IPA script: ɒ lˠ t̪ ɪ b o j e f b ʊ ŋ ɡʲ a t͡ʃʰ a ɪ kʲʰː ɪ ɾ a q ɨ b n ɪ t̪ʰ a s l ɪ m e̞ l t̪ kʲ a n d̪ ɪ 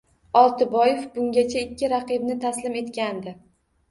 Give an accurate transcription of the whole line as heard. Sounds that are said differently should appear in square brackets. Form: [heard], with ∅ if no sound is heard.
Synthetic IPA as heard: ɒ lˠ t̪ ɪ b [ɒ] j e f b ʊ ŋ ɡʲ a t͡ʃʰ a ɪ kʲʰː ɪ ɾ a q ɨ b n ɪ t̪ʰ a s l ɪ m e̞ [∅] t̪ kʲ a n d̪ ɪ

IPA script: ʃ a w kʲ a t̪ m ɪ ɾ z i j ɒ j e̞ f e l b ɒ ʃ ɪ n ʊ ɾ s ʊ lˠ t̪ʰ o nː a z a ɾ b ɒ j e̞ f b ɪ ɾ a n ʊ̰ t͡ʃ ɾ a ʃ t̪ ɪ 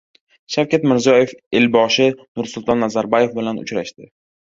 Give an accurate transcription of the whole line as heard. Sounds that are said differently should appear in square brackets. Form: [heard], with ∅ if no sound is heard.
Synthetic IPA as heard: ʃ a w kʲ a t̪ m ɪ ɾ z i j ɒ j e̞ f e l b ɒ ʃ ɪ n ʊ ɾ s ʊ lˠ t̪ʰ [ɒ] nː a z a ɾ b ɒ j e̞ f b ɪ [l] a n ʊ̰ t͡ʃ ɾ a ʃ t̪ ɪ

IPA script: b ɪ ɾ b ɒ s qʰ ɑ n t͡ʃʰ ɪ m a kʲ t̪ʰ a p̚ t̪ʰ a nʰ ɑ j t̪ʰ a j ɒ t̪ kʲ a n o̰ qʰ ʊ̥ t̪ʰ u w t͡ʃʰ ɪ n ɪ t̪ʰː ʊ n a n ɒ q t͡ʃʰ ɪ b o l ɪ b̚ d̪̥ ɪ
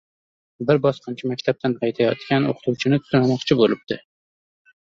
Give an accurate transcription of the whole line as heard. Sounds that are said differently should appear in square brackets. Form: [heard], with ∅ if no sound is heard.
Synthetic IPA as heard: b ɪ ɾ b ɒ s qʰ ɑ n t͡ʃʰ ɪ m a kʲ t̪ʰ a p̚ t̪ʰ a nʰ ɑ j t̪ʰ a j ɒ t̪ kʲ a n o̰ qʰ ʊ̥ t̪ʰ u w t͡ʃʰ ɪ n ɪ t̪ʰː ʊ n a [m] ɒ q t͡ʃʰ ɪ b o l ɪ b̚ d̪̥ ɪ

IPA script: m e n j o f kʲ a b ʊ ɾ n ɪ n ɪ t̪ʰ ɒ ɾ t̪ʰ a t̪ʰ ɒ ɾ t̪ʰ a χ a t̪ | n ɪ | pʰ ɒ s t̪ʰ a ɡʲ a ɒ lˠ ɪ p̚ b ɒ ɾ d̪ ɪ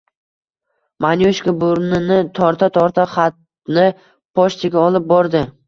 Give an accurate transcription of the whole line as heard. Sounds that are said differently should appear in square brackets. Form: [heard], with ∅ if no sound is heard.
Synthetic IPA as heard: m [a] n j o [ʃ] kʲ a b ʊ ɾ n ɪ n ɪ t̪ʰ ɒ ɾ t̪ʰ a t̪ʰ ɒ ɾ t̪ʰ a χ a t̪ | n ɪ | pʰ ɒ [ʃ] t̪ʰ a ɡʲ a ɒ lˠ ɪ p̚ b ɒ ɾ d̪ ɪ

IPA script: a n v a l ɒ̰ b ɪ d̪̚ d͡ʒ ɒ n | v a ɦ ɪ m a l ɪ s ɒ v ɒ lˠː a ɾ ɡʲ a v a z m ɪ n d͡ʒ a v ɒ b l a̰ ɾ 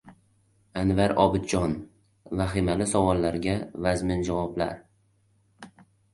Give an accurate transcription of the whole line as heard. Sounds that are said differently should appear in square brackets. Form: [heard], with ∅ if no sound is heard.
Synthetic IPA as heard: a n v a [ɾ] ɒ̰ b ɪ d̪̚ d͡ʒ ɒ n | v a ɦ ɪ m a l ɪ s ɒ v ɒ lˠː a ɾ ɡʲ a v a z m ɪ n d͡ʒ a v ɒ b l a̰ ɾ

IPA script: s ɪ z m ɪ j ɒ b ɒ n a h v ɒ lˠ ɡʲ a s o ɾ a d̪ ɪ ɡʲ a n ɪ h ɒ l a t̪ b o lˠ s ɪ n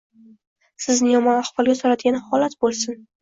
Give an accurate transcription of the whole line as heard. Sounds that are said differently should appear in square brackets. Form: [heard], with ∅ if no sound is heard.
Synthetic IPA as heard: s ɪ z [n] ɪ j ɒ [m] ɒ n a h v ɒ lˠ ɡʲ a s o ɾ a d̪ ɪ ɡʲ a n ɪ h ɒ l a t̪ b o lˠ s ɪ n

